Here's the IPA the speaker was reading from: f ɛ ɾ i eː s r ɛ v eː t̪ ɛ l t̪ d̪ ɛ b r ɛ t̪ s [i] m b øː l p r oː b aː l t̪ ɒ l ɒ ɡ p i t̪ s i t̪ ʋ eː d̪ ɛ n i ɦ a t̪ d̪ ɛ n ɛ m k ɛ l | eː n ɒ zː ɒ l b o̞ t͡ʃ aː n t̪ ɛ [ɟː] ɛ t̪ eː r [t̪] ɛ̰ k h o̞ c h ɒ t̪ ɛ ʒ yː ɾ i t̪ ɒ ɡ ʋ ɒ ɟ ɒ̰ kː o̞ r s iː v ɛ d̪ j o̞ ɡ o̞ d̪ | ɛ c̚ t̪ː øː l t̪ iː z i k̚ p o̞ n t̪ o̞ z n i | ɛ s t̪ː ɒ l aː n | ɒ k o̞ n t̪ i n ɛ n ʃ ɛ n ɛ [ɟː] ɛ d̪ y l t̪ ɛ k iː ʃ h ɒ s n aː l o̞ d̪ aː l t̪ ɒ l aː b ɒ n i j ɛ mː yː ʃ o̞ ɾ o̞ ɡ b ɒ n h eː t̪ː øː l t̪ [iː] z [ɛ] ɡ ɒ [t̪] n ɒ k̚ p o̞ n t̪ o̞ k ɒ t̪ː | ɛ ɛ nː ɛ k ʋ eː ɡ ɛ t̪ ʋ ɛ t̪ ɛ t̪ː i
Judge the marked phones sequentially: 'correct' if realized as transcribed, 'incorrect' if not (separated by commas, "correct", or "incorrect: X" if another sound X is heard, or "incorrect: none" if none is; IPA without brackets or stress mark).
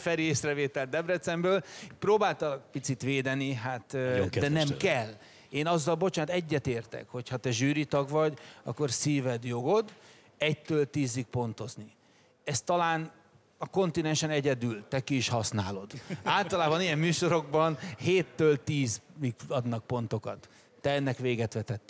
incorrect: ɛ, correct, correct, incorrect: ɟ, correct, incorrect: i, incorrect: d̪